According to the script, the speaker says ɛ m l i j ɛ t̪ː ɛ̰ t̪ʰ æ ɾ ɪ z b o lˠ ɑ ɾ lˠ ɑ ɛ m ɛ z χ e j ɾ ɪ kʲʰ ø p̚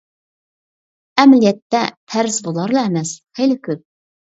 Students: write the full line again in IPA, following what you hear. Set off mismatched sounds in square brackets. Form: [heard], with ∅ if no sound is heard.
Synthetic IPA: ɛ m l i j ɛ t̪ː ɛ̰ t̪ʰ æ ɾ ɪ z b o lˠ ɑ ɾ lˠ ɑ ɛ m ɛ [s] χ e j [l] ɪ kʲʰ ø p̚